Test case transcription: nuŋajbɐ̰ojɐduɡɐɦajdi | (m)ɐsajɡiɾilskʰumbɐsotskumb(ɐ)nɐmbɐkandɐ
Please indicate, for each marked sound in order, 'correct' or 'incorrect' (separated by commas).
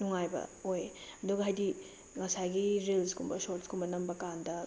incorrect, correct